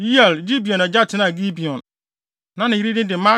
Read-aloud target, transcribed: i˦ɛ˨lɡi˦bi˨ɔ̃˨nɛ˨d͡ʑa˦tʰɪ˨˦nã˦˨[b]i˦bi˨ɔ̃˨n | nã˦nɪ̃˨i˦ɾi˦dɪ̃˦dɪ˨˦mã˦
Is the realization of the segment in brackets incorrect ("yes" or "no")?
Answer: yes